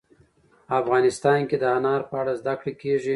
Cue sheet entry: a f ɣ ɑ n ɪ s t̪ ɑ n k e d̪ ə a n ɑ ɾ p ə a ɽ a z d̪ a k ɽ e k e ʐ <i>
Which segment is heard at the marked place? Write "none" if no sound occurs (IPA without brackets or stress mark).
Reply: i